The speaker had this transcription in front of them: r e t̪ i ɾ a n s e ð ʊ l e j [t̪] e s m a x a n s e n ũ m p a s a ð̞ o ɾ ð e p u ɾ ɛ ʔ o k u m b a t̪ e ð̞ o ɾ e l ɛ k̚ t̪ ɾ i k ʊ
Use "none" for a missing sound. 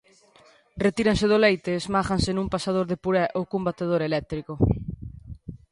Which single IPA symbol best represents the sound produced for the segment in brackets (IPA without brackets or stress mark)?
t̪